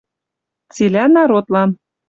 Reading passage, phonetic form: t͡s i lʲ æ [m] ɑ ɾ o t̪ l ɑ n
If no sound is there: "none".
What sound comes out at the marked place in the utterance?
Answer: n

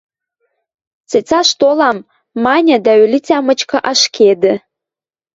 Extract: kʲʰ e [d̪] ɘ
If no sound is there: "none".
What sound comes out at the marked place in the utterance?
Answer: d̪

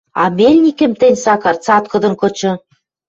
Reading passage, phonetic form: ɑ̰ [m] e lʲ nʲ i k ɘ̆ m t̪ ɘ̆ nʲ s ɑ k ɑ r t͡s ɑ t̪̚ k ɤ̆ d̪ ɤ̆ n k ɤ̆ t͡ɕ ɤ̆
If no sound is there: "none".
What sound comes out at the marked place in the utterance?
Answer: m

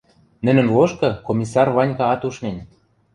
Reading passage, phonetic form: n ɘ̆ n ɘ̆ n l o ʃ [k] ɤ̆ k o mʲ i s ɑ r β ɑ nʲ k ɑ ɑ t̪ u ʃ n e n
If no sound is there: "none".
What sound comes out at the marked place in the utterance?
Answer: k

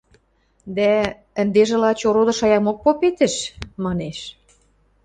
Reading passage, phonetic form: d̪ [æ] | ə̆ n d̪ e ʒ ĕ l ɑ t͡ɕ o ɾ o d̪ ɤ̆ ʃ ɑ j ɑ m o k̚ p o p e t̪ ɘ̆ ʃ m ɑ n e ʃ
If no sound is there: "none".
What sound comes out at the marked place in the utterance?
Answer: æ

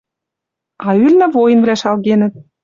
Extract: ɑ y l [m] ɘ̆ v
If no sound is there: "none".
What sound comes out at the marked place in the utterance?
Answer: n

